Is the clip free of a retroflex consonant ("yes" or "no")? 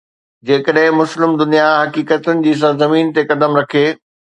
yes